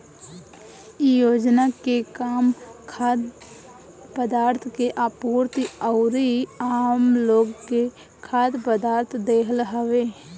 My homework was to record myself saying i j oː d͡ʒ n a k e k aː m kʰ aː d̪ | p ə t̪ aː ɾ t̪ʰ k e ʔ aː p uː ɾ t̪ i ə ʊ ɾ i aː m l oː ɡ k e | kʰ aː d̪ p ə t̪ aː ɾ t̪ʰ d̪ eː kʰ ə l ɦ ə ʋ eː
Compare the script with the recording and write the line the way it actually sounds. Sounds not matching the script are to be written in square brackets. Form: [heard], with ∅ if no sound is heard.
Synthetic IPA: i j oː d͡ʒ n a k e k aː m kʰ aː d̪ | p ə [d̪] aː ɾ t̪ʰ k e ʔ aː p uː ɾ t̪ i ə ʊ ɾ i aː m l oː ɡ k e | kʰ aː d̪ p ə [d̪] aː ɾ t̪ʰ d̪ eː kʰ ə l ɦ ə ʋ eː